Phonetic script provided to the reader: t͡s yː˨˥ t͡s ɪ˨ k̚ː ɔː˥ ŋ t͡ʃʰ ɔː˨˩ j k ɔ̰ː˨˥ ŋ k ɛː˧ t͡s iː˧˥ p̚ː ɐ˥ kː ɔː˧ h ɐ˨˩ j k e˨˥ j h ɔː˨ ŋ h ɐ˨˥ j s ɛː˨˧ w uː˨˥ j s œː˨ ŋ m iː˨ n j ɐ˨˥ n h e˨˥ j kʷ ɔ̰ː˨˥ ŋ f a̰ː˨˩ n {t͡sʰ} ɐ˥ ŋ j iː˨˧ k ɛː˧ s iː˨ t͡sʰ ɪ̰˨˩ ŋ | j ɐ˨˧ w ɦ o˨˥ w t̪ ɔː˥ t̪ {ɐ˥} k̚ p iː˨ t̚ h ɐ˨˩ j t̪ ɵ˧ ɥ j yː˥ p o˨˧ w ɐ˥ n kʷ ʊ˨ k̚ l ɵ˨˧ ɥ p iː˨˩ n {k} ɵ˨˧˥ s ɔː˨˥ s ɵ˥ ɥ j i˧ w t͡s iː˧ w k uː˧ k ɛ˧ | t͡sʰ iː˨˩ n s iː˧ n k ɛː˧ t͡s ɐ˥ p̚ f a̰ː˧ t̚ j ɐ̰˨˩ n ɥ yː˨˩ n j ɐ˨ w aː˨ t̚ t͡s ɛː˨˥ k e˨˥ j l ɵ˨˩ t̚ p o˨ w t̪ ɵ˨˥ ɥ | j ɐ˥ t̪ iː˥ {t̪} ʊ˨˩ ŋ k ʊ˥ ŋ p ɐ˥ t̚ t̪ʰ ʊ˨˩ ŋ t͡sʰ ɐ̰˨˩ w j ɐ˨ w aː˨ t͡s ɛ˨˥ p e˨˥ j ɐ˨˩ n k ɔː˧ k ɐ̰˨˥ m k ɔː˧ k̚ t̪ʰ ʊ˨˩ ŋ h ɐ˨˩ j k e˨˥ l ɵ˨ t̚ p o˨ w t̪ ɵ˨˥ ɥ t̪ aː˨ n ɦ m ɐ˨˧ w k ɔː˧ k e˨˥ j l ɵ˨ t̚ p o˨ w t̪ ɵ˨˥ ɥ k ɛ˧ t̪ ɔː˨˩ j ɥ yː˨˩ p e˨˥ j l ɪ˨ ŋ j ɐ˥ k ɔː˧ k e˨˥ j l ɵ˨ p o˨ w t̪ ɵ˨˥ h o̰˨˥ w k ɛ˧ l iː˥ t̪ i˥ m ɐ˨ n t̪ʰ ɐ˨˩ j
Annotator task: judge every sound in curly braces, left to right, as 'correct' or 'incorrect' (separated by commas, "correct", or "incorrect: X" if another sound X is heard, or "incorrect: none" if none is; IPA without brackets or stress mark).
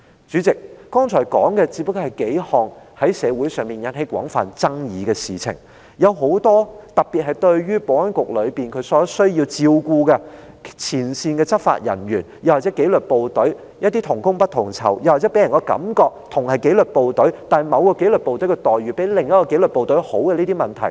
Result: incorrect: t͡s, incorrect: ɐ˨, incorrect: kʰ, incorrect: t̪ʰ